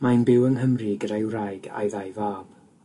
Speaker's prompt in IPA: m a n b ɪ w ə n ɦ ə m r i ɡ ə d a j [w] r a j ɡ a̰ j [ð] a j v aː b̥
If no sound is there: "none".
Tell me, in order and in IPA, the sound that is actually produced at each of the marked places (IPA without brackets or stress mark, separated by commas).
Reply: w, ð